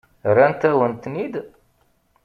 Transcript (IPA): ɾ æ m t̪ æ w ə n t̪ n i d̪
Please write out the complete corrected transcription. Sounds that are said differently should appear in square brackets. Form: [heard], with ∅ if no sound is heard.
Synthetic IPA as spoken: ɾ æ [n] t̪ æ w ə n t̪ n i d̪

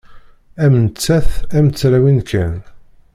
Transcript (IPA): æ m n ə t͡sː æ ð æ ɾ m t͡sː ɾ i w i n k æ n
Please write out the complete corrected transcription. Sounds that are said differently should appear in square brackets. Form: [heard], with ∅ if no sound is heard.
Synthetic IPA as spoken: æ m n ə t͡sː æ [θ] æ [∅] m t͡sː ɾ [æ] w i n k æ n

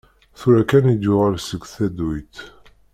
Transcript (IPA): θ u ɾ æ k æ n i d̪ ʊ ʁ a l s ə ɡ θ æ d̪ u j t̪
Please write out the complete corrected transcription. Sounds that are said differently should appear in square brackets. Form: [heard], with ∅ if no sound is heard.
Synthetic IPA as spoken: θ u ɾ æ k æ n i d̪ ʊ ʁ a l s ə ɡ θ æ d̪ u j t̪

